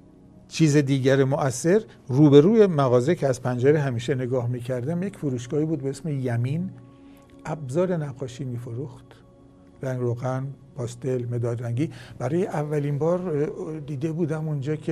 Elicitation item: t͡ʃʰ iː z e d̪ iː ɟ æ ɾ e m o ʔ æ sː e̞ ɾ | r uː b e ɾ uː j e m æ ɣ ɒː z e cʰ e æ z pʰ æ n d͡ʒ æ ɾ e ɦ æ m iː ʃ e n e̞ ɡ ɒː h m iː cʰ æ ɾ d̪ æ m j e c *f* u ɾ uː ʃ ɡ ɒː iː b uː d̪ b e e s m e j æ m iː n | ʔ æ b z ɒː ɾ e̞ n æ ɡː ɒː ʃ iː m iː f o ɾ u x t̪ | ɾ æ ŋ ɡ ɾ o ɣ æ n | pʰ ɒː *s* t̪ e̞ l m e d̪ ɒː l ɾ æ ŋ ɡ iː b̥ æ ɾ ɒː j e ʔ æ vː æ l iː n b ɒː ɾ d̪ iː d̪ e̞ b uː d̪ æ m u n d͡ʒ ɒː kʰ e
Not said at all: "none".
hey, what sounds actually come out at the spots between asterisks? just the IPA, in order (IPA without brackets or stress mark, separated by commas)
f, s